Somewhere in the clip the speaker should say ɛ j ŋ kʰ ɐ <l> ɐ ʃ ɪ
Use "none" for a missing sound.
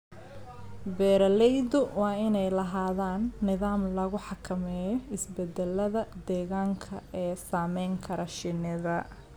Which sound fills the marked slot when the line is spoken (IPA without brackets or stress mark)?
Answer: ɾ